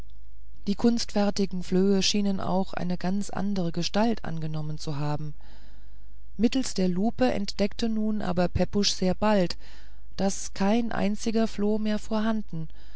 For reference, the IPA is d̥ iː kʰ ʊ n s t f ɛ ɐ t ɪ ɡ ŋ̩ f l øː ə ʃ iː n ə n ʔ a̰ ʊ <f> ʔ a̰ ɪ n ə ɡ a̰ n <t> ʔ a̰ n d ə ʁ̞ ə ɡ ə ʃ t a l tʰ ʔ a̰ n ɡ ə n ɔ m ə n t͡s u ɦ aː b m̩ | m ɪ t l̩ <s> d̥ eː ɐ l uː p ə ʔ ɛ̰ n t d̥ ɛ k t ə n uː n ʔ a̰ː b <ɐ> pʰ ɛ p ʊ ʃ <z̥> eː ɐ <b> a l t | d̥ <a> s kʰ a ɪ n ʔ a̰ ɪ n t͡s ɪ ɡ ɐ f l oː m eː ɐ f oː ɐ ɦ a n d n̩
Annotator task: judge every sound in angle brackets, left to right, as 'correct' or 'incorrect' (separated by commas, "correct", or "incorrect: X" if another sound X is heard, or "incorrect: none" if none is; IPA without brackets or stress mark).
incorrect: x, incorrect: t͡s, correct, correct, correct, correct, correct